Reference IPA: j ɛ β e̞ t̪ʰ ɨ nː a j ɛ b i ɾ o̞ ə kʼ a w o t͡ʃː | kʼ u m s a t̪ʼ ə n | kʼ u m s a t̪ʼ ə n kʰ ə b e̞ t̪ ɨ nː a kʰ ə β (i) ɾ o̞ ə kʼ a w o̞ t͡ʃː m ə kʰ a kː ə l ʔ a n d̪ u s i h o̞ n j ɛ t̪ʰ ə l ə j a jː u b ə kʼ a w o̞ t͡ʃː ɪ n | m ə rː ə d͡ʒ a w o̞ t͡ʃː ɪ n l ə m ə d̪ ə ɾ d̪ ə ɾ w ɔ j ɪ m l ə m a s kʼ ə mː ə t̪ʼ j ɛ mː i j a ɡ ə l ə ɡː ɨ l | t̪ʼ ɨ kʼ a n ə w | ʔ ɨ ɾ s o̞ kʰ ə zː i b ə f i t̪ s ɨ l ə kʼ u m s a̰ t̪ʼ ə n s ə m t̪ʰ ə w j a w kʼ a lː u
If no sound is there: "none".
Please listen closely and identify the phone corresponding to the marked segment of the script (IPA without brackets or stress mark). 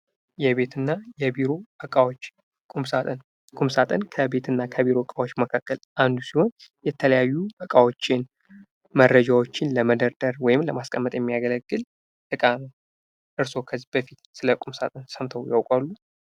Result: i